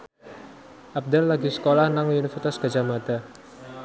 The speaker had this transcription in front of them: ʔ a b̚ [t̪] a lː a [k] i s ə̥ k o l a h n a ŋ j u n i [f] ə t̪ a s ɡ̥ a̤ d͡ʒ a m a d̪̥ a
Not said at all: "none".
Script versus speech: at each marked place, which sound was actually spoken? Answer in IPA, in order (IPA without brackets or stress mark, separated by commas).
d̪, ɡ, f